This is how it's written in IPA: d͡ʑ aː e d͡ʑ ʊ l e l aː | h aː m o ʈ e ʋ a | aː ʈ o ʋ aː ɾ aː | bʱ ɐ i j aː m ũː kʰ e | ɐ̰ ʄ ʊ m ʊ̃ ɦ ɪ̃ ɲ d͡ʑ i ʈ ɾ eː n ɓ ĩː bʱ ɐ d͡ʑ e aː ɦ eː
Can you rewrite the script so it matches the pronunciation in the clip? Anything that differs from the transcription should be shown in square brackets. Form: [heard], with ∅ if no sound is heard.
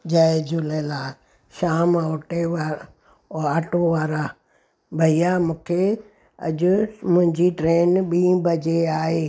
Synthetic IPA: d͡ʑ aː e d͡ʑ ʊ l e l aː | [ʃ] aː m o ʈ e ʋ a | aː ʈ o ʋ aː ɾ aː | bʱ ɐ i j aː m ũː kʰ e | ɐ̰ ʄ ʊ m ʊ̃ ɦ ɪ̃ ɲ d͡ʑ i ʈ ɾ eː n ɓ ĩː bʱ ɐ d͡ʑ e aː ɦ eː